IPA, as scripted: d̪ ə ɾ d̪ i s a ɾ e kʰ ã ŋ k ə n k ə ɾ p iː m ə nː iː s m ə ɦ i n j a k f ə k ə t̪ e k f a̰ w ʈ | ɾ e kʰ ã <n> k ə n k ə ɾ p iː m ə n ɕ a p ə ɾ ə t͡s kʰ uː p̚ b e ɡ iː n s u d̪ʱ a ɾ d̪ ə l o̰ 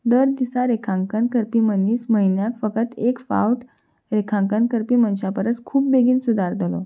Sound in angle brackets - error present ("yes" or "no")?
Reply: yes